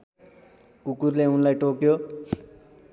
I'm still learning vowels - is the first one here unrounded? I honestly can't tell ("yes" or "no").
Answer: no